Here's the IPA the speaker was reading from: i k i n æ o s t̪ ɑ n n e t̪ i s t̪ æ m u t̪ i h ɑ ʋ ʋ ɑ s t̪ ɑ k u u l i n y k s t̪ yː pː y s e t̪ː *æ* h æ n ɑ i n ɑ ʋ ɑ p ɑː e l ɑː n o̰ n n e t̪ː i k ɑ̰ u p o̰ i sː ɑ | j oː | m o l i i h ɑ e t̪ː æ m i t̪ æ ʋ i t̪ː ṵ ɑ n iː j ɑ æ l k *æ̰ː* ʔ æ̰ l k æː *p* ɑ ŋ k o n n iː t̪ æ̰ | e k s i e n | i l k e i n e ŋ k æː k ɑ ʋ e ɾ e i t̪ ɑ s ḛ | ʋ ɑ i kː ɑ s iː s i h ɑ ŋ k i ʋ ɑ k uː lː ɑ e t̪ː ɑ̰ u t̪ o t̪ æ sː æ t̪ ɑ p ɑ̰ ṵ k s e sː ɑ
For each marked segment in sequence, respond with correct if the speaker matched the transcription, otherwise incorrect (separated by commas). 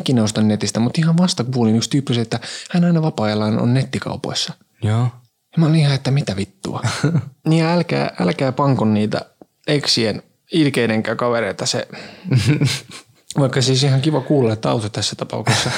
correct, correct, correct